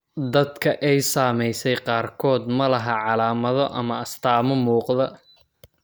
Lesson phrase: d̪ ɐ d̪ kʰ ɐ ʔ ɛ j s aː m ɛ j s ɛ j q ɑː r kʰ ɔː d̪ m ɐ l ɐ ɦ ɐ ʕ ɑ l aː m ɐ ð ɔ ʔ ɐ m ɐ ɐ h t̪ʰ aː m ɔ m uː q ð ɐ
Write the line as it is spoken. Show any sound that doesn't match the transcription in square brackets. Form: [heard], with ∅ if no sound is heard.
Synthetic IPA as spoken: d̪ ɐ d̪ kʰ ɐ ʔ ɛ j s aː m ɛ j s ɛ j q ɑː r kʰ ɔː d̪ m ɐ l ɐ ɦ ɐ ʕ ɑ l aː m ɐ ð ɔ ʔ ɐ m ɐ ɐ [s] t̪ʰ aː m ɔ m uː q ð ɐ

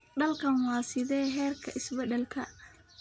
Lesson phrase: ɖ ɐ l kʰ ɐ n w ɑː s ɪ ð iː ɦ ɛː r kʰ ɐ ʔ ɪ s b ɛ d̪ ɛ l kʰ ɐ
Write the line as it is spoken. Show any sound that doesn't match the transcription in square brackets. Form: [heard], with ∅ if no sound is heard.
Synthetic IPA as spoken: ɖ ɐ l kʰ ɐ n w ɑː s ɪ ð [ɛː] ɦ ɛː r kʰ ɐ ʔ ɪ s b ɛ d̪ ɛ l kʰ ɐ

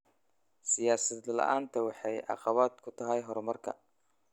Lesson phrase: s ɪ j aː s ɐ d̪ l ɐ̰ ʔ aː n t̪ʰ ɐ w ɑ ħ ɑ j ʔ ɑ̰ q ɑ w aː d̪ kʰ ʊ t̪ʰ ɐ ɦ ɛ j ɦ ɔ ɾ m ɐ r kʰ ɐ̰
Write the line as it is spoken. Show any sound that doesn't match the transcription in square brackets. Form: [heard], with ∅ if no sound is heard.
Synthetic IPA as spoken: s ɪ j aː s ɐ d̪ l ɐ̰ ʔ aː n t̪ʰ ɐ w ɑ ħ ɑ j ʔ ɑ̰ q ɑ [β] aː d̪ kʰ ʊ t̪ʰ ɐ ɦ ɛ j ɦ ɔ ɾ m ɐ r kʰ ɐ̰

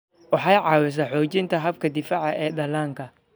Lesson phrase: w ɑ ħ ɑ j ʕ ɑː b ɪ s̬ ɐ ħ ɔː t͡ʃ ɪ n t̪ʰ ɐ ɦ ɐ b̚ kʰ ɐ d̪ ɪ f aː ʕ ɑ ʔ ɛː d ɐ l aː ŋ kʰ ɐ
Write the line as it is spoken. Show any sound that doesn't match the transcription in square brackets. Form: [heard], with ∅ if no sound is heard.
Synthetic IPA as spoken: w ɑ ħ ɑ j ʕ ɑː [w] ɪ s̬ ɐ ħ ɔː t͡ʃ ɪ n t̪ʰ ɐ ɦ ɐ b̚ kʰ ɐ d̪ ɪ f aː ʕ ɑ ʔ ɛː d ɐ l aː ŋ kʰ ɐ

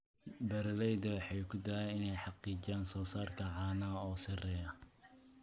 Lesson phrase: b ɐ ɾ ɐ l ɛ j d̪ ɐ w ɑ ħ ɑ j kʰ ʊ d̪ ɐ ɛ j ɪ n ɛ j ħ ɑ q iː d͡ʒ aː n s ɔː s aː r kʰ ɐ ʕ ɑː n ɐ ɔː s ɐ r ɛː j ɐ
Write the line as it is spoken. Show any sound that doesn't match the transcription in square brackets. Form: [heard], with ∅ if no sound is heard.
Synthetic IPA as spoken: b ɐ ɾ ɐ l ɛ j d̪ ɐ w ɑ ħ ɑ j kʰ ʊ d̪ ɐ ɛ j ɪ n ɛ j ħ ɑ q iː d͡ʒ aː n s ɔː s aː r kʰ ɐ ʕ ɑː n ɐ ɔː s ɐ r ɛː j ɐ

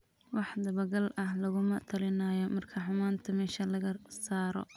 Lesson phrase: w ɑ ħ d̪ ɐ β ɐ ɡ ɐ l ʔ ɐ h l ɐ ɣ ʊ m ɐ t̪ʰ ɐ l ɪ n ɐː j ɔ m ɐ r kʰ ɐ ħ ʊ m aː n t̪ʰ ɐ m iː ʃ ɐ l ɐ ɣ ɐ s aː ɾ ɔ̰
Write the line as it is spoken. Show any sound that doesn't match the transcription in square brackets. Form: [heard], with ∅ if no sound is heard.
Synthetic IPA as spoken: w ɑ ħ d̪ ɐ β ɐ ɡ ɐ l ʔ ɐ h l ɐ ɣ ʊ m ɐ t̪ʰ ɐ l ɪ n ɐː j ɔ m ɐ r kʰ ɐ ħ ʊ m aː n t̪ʰ ɐ m [ɛː] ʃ ɐ l ɐ ɣ ɐ s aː ɾ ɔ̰

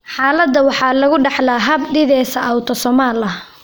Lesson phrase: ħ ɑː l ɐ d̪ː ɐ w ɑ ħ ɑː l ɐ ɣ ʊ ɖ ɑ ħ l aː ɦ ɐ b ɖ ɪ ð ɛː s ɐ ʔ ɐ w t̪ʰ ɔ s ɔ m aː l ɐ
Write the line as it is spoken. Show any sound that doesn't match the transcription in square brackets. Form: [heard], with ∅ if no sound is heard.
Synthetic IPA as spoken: ħ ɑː l ɐ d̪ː ɐ w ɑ ħ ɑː l ɐ ɣ ʊ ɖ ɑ ħ l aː ɦ ɐ b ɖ ɪ ð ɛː s ɐ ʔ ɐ w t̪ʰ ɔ s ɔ m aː l ɐ

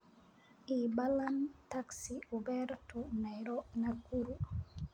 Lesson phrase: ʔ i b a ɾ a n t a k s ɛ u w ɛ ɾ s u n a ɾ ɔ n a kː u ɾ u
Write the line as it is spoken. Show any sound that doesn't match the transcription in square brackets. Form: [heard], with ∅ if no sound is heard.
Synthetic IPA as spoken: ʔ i b a [l] a n t a k s [i] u [b] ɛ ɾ [t] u n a ɾ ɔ n a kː u ɾ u

